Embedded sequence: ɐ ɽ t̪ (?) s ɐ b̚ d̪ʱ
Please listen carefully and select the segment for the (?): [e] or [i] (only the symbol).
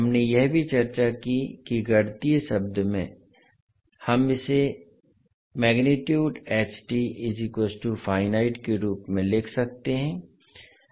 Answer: i